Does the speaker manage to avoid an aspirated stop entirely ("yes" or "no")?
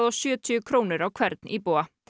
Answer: no